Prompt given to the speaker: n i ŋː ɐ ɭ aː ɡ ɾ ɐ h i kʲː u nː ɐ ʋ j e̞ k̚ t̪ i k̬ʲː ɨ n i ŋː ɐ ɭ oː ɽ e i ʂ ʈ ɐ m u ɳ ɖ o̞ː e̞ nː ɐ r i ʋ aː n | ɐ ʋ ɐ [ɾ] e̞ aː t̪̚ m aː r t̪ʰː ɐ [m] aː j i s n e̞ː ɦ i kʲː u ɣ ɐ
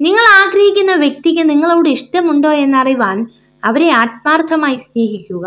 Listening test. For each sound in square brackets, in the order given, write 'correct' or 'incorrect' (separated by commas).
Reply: correct, correct